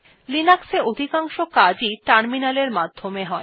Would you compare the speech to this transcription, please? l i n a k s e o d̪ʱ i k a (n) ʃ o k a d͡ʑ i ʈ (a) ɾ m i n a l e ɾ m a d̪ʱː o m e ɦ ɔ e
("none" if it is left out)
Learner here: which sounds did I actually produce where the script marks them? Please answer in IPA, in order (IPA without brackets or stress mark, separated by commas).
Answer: ŋ, a